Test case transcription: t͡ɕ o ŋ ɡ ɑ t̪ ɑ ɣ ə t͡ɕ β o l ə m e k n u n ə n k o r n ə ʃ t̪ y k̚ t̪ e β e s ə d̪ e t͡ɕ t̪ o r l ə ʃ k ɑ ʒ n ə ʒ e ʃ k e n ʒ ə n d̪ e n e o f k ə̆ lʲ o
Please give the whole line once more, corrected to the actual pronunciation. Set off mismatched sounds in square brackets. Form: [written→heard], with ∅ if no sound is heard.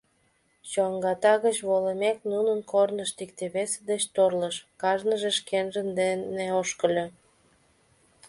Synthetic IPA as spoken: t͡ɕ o ŋ ɡ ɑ t̪ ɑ ɣ ə t͡ɕ β o l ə m e k n u n ə n k o r n ə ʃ t̪ [y→i] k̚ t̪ e β e s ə d̪ e t͡ɕ t̪ o r l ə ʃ k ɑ ʒ n ə ʒ e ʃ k e n ʒ ə n d̪ e n e o [f→ʃ] k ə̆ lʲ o